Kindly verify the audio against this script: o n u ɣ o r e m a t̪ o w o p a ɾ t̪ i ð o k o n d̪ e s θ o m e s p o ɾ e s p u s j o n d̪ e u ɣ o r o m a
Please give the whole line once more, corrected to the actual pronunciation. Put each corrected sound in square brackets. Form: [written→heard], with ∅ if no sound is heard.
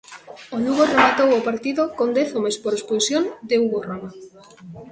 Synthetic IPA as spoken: o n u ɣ o r e m a t̪ o w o p a ɾ t̪ i ð o k o n d̪ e [s→∅] θ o m e s p o ɾ e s p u s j o n d̪ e u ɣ o r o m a